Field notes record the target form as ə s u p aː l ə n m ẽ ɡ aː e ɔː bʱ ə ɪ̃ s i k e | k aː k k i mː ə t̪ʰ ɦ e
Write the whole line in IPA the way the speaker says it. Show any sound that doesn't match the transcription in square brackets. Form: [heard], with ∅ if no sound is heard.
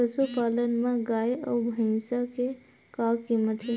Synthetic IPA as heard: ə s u p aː l ə n m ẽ ɡ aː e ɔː bʱ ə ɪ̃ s [a] k e | k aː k k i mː ə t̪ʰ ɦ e